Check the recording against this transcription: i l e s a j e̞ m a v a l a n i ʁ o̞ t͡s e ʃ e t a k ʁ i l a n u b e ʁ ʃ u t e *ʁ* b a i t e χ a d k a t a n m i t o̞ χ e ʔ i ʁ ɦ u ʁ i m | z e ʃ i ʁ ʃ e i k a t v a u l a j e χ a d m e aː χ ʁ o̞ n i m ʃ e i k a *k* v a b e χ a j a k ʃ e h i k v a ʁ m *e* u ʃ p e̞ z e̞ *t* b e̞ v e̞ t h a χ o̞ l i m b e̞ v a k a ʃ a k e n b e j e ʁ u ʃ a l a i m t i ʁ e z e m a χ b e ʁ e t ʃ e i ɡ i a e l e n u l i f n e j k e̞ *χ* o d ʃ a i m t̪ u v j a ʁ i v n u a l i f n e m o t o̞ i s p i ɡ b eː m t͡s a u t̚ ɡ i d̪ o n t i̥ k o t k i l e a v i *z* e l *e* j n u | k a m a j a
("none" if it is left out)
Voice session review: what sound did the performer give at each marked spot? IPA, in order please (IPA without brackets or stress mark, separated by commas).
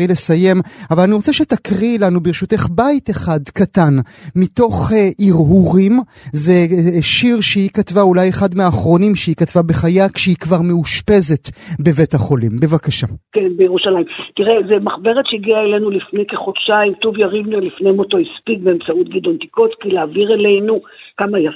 χ, t, e, t, χ, ʁ, e